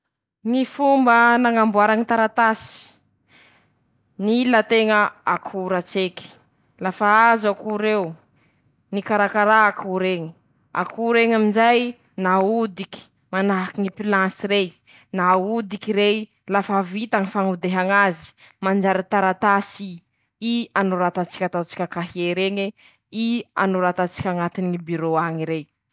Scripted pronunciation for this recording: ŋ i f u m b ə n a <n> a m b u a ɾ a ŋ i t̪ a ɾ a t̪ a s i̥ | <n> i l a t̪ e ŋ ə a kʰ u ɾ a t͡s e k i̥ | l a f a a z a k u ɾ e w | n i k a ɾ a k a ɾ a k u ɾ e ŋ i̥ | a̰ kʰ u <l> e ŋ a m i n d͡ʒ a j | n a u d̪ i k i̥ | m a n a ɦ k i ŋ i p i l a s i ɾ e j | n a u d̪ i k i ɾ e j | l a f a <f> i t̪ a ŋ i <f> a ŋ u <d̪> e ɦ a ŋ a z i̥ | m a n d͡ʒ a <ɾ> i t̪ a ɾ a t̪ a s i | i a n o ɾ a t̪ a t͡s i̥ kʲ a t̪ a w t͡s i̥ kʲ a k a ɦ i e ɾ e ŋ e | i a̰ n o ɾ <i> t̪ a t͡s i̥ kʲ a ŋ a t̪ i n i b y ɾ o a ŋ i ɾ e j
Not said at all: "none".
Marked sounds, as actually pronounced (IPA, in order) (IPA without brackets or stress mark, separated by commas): ŋ, n, ɾ, v, f, d̪, ɾ, a